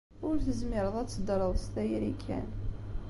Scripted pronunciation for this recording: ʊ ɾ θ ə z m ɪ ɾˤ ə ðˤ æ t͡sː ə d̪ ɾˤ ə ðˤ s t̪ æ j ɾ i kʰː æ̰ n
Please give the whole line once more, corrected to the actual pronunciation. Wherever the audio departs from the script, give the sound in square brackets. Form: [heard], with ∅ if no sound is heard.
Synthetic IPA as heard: ʊ ɾ θ ə z m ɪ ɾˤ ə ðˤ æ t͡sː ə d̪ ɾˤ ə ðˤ s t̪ æ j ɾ i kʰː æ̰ n